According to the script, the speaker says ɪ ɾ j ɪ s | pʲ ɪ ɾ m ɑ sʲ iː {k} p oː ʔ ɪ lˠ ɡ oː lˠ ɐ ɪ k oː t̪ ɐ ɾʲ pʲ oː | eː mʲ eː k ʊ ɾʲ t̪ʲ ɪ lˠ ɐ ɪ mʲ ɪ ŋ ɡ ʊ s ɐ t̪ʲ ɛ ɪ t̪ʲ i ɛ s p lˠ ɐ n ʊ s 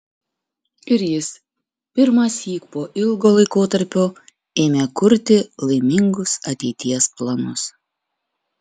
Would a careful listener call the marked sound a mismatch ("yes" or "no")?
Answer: no